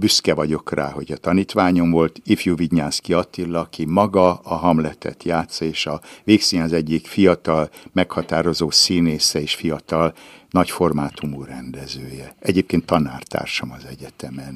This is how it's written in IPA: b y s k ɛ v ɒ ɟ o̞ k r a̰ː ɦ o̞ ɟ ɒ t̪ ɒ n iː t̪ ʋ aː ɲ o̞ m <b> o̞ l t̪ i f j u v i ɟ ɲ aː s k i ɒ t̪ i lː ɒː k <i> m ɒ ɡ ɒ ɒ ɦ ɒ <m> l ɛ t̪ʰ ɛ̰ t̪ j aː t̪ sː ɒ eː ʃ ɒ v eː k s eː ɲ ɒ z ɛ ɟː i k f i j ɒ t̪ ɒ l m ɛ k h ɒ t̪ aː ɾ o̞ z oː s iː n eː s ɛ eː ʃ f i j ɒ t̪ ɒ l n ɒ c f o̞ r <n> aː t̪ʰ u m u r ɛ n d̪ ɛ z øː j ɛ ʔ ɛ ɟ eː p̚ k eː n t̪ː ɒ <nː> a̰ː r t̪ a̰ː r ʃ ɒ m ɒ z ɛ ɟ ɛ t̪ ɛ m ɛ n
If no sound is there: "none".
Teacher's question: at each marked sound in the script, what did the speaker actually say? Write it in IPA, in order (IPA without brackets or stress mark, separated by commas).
v, i, m, m, n